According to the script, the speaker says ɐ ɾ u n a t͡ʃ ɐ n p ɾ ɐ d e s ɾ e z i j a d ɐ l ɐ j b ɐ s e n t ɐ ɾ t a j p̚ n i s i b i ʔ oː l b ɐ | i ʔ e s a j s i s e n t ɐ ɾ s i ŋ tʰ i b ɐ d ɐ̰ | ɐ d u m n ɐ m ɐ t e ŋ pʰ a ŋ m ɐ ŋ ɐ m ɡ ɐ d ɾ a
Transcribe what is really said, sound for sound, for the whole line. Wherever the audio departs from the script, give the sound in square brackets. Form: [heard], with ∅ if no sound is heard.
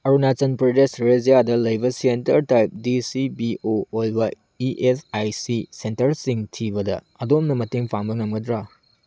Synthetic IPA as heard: ɐ ɾ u n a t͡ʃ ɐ n p ɾ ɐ d e s ɾ e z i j a d ɐ l ɐ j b ɐ s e n t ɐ ɾ t a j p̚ [d] i s i b i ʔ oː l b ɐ | i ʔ e s a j s i s e n t ɐ ɾ s i ŋ tʰ i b ɐ d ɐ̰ | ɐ d [o] m n ɐ m ɐ t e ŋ pʰ a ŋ [b] ɐ ŋ ɐ m ɡ ɐ d ɾ a